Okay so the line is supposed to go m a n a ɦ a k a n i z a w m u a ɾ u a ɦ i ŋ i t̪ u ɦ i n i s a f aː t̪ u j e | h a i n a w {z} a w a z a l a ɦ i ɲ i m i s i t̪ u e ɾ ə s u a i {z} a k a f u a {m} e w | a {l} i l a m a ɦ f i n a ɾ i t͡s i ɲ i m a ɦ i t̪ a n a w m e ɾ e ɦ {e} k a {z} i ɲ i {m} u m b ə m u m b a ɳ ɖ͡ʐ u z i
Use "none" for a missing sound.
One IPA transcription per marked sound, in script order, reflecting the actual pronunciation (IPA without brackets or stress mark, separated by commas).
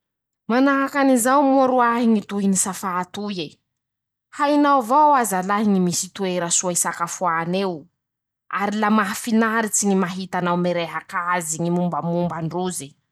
v, s, n, ɾ, a, z, m